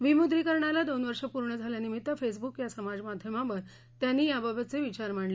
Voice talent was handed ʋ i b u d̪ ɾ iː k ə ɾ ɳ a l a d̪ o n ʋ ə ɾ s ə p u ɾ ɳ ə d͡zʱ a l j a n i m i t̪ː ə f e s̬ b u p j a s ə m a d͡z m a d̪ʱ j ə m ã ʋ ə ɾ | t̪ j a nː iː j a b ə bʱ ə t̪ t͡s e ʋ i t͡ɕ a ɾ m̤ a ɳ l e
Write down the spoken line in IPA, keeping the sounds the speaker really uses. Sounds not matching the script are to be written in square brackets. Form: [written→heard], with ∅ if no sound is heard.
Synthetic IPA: ʋ i [b→m] u d̪ ɾ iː k ə ɾ ɳ a l a d̪ o n ʋ ə ɾ [s→ʂ] ə p u ɾ ɳ ə d͡zʱ a l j a n i m i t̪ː ə f e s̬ b u [p→k] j a s ə m a d͡z m a d̪ʱ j ə m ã ʋ ə ɾ | t̪ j a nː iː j a b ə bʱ ə t̪ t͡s e ʋ i t͡ɕ a ɾ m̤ a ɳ l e